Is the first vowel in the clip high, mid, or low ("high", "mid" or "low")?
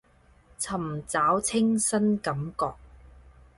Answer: low